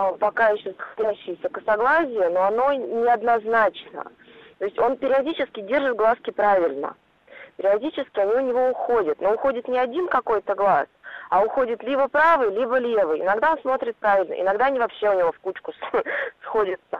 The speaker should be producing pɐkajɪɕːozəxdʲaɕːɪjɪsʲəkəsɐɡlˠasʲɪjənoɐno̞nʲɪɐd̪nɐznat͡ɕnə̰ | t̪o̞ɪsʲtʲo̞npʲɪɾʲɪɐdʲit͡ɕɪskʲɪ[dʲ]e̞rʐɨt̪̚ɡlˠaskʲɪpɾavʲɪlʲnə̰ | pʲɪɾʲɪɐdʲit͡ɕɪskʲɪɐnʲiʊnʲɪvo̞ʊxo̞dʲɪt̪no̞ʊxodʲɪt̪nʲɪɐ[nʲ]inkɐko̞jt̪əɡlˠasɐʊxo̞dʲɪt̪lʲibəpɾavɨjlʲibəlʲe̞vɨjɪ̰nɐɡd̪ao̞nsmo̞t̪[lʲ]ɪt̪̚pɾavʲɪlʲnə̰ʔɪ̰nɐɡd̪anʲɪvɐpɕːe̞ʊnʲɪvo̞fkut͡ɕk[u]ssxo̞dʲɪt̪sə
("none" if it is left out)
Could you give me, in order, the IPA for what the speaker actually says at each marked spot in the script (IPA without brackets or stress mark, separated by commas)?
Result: dʲ, dʲ, ɾʲ, ʊ